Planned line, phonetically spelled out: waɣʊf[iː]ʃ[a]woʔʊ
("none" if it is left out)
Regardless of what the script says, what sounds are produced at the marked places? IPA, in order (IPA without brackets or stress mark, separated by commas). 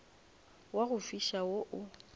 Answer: i, a